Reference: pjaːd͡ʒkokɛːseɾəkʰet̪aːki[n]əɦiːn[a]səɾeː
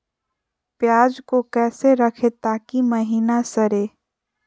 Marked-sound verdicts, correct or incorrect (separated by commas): incorrect, correct